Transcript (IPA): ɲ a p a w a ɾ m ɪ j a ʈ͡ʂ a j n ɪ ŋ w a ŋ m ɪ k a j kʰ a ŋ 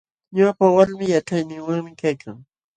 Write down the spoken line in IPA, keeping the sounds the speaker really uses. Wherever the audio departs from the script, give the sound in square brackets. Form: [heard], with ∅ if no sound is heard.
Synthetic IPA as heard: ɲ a p a w a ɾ m ɪ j a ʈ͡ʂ a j n ɪ ŋ w a ŋ m ɪ k a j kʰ a ŋ